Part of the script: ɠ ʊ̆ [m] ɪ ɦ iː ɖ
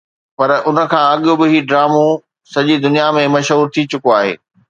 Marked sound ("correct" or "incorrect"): incorrect